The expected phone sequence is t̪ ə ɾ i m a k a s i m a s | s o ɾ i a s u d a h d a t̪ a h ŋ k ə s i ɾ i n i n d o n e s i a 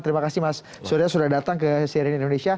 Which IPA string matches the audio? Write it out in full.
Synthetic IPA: t̪ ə ɾ i m a k a s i m a s | s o ɾ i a s u d a h d a t̪ a ŋ k ə s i ɾ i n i n d o n e s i a